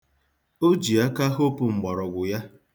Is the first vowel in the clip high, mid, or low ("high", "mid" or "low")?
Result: mid